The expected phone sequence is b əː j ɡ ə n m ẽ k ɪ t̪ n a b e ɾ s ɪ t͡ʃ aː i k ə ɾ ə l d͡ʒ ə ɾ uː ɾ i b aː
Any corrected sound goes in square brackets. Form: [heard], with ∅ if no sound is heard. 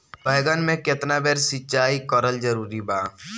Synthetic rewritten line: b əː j ɡ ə n m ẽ k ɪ t̪ n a b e ɾ s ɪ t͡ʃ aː i k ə ɾ ə l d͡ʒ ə ɾ uː ɾ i b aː